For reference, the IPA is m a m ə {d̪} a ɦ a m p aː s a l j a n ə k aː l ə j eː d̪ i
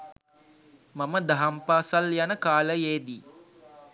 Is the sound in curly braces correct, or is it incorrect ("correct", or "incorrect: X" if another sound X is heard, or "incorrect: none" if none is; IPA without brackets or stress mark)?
correct